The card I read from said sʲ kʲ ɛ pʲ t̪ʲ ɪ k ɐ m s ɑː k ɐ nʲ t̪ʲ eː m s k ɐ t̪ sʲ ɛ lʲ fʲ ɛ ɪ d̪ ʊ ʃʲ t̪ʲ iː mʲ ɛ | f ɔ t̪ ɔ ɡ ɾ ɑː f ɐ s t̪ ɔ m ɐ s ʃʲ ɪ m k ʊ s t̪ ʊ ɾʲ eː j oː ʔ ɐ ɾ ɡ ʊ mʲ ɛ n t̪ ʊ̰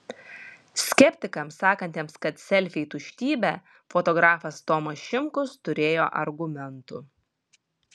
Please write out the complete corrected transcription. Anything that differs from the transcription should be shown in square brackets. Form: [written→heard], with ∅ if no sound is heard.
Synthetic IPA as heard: sʲ kʲ ɛ pʲ t̪ʲ ɪ k ɐ m s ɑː k ɐ nʲ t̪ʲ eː m s k ɐ t̪ sʲ ɛ lʲ fʲ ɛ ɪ [d̪→t̪] ʊ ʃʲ t̪ʲ iː [mʲ→bʲ] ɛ | f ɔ t̪ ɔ ɡ ɾ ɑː f ɐ s t̪ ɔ m ɐ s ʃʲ ɪ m k ʊ s t̪ ʊ ɾʲ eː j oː ʔ ɐ ɾ ɡ ʊ mʲ ɛ n t̪ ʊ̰